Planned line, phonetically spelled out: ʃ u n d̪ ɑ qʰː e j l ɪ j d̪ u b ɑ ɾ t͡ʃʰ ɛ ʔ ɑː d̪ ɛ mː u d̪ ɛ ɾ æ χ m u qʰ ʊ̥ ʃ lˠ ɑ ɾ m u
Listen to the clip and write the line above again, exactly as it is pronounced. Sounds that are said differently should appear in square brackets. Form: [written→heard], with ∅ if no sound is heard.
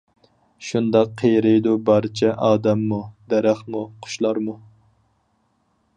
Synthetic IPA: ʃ u n d̪ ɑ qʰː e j [l→ɾ] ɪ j d̪ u b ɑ ɾ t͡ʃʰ ɛ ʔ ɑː d̪ ɛ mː u d̪ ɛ ɾ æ χ m u qʰ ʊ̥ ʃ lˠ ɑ ɾ m u